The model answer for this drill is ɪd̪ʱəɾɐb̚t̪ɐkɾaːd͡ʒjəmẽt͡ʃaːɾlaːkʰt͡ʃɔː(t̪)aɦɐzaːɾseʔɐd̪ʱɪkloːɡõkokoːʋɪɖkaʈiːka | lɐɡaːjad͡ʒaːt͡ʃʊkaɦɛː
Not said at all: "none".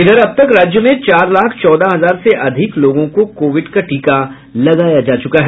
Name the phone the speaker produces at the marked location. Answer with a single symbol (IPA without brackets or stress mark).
d̪